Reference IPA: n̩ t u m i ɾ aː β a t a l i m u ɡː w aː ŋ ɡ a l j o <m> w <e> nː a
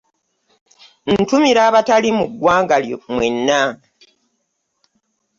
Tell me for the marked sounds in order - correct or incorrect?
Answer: correct, correct

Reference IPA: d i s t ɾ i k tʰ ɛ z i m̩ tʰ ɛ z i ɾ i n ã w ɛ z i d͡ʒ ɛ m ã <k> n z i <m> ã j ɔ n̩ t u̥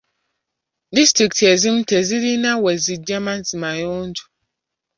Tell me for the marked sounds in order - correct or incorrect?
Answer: incorrect, correct

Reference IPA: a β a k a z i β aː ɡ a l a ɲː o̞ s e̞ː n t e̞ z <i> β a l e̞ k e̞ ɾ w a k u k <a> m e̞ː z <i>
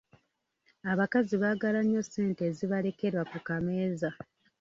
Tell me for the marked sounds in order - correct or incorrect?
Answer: correct, correct, incorrect

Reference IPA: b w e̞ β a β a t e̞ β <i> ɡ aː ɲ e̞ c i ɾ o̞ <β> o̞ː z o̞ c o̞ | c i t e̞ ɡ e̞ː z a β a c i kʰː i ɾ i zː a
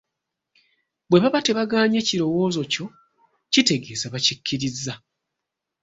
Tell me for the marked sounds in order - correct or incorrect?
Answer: incorrect, incorrect

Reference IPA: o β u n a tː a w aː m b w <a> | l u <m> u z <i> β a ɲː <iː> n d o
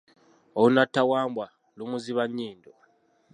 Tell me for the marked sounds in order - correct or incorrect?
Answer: correct, correct, correct, correct

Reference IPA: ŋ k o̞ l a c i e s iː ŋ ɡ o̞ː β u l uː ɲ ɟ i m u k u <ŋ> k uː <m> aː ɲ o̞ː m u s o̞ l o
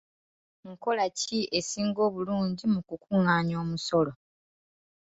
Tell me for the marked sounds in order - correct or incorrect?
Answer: incorrect, incorrect

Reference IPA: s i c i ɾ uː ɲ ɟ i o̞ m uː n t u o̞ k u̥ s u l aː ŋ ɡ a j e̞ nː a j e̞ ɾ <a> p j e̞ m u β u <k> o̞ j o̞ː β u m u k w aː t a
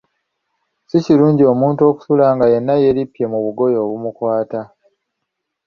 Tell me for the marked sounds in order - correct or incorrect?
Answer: incorrect, incorrect

